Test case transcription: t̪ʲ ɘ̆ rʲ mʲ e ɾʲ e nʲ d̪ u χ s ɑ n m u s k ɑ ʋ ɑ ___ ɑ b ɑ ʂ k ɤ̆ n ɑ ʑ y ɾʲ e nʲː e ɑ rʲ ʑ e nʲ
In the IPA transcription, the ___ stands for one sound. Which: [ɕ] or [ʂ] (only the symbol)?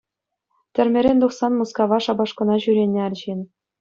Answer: ʂ